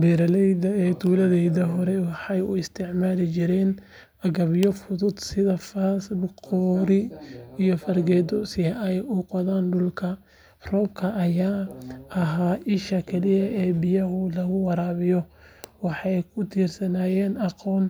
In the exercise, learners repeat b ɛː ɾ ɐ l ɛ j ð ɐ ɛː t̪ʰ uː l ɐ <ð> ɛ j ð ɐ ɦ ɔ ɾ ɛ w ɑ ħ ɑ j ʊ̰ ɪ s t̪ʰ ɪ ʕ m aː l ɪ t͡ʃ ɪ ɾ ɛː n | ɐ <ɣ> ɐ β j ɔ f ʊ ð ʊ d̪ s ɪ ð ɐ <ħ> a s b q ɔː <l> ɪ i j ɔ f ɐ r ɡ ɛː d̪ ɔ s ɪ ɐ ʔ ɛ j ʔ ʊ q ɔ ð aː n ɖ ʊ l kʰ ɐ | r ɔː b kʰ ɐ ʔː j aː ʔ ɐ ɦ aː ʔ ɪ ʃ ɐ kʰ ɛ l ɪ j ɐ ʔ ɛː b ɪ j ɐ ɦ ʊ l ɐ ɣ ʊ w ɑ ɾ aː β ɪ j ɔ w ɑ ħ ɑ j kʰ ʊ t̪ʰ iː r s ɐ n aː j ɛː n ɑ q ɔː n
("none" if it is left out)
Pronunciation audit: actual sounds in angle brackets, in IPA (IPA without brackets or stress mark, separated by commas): ð, ɣ, f, ɾ